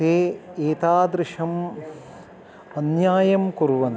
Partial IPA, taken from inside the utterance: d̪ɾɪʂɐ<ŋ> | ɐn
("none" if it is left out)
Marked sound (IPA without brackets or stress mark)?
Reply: m